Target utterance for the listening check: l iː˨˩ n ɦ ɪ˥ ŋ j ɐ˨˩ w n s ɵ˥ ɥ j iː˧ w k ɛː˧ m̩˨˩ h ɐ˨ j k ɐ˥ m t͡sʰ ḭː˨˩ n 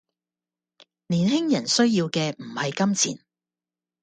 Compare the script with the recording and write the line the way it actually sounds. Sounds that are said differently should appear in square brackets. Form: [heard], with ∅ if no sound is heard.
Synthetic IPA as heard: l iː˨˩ n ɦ ɪ˥ ŋ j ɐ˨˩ [∅] n s ɵ˥ ɥ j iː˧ w k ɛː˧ m̩˨˩ h ɐ˨ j k ɐ˥ m t͡sʰ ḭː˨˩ n